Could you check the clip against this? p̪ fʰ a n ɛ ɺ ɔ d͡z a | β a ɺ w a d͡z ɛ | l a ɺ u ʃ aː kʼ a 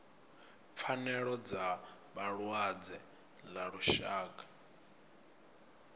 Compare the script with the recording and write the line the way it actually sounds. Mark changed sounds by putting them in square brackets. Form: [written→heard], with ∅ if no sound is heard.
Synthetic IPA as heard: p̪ fʰ a n ɛ ɺ ɔ d͡z a | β a ɺ w a d͡z ɛ | l a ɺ u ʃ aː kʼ a